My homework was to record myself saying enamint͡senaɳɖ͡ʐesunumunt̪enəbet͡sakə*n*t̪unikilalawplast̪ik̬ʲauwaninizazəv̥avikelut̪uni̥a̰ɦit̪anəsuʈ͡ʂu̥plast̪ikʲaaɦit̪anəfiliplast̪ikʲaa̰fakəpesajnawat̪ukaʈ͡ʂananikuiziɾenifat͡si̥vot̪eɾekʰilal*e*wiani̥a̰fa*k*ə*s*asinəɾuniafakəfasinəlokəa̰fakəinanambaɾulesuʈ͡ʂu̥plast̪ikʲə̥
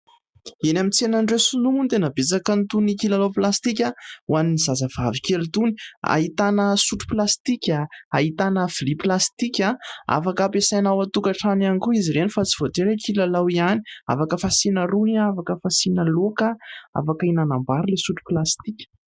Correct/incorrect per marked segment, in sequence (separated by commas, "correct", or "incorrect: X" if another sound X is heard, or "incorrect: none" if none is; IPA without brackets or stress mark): correct, incorrect: a, correct, incorrect: f